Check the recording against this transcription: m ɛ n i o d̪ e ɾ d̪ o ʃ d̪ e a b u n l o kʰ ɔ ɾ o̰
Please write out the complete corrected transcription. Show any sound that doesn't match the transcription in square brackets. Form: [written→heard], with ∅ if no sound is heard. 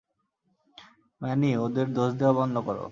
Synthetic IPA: m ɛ n i o d̪ e ɾ d̪ o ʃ d̪ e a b [u→ɔ] n l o [kʰ→k] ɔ ɾ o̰